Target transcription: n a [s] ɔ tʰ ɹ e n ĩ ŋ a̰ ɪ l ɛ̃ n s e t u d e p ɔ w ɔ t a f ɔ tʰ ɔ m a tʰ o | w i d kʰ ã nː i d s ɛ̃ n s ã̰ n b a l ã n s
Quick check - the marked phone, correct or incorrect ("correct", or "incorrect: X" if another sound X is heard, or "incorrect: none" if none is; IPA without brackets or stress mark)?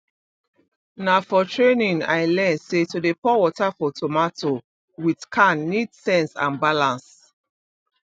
incorrect: f